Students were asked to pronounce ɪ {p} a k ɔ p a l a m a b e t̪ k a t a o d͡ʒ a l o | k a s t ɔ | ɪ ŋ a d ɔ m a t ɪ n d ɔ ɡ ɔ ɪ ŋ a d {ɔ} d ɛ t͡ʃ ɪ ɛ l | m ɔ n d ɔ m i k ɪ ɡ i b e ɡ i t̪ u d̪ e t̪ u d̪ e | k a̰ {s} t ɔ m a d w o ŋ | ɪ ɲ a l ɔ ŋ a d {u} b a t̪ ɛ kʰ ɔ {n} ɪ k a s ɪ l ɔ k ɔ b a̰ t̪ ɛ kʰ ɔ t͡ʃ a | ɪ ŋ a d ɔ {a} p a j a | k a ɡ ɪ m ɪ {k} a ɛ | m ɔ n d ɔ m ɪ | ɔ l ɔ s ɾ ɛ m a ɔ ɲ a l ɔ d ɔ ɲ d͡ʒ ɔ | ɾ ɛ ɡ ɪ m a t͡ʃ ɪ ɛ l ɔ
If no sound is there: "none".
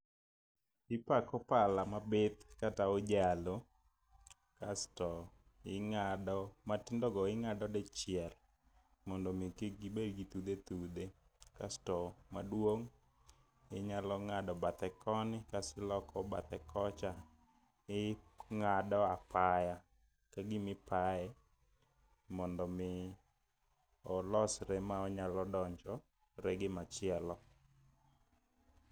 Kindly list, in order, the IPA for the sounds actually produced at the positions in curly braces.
p, ɔ, s, ɔ, n, a, p

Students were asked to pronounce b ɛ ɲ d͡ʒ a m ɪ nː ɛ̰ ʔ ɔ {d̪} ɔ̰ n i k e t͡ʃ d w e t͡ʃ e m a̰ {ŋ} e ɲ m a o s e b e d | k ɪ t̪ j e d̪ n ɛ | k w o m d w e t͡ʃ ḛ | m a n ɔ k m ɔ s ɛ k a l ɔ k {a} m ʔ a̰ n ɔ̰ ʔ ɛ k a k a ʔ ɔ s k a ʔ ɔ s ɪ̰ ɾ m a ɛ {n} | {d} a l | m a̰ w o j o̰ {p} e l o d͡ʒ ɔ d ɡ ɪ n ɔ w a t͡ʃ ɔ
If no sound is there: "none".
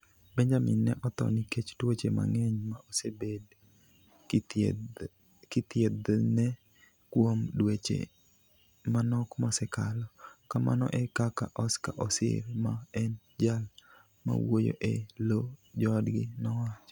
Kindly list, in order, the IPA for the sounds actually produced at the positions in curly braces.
t̪, ŋ, a, n, d͡ʒ, ʔ

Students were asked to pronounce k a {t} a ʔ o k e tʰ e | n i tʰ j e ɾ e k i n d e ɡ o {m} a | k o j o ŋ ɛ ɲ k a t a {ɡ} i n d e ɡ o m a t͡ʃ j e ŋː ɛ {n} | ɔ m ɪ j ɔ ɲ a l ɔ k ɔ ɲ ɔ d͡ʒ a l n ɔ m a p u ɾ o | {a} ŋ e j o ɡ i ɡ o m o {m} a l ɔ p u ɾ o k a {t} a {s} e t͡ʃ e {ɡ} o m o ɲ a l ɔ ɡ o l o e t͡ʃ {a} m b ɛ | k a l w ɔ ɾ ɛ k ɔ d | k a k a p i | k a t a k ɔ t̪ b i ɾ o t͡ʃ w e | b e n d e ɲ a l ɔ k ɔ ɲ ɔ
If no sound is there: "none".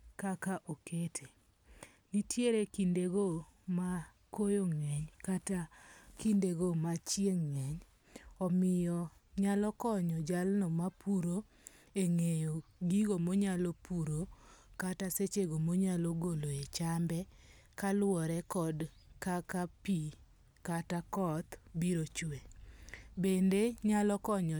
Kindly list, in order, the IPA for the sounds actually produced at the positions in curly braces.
k, m, k, ɲ, e, ɲ, t, s, ɡ, a

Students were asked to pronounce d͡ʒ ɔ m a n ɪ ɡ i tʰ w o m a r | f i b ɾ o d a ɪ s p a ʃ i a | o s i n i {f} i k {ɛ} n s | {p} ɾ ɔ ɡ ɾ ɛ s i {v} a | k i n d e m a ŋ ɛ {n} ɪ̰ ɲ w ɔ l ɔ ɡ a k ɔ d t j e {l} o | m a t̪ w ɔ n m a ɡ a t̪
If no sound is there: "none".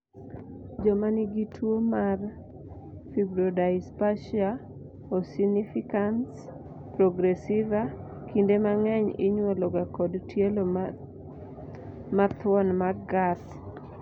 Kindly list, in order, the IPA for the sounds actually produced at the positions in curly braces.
f, a, p, v, ɲ, l

